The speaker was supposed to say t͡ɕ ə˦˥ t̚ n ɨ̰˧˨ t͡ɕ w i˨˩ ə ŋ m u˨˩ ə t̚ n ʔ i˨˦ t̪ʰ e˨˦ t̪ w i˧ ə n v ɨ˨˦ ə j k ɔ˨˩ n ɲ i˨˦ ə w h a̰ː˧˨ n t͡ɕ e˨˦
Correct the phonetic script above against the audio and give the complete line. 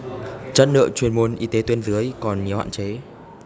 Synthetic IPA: t͡ɕ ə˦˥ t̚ n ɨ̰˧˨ t͡ɕ w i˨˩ ə n m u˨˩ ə n ʔ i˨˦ t̪ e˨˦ t̪ w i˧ ə n z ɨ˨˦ ə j k ɔ˨˩ n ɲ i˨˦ ə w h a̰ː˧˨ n t͡ɕ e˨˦